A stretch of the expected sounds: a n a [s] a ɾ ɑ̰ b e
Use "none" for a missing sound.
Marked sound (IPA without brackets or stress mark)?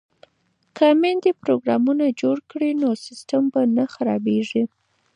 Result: x